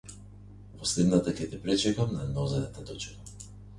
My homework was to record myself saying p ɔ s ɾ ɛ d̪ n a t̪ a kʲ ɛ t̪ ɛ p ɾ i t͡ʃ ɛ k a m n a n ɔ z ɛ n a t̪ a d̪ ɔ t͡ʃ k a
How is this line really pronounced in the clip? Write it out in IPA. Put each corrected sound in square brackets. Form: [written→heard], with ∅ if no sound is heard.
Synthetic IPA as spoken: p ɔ s [ɾ→l] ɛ d̪ n a t̪ a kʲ ɛ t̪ ɛ p ɾ [i→ɛ] t͡ʃ ɛ k a m n a n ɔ z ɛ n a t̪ a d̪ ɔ t͡ʃ k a